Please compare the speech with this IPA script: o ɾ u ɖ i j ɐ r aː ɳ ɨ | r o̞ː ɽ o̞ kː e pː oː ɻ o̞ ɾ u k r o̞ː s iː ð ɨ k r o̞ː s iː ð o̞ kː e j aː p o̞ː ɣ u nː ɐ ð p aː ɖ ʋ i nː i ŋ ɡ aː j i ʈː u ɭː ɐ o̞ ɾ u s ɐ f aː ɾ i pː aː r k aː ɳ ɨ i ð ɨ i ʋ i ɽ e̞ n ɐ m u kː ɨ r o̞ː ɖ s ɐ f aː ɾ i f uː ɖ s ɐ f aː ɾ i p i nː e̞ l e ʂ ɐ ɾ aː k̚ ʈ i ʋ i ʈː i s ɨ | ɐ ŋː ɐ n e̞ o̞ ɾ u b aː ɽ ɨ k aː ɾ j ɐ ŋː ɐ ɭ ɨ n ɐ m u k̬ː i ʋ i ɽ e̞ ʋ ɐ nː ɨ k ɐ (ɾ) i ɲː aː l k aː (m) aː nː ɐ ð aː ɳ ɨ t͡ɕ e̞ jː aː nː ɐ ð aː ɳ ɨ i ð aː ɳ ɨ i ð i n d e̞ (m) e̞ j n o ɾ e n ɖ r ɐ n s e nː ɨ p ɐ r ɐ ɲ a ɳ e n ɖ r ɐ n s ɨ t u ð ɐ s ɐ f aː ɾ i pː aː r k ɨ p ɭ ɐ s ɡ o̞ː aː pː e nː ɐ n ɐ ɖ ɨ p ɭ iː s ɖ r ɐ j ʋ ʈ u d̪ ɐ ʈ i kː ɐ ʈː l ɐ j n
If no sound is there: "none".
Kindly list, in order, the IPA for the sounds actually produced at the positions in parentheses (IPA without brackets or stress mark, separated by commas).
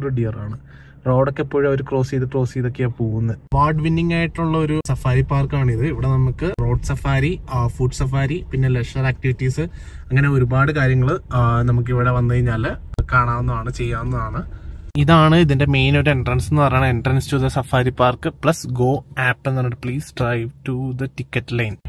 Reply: ɾ, ɳ, m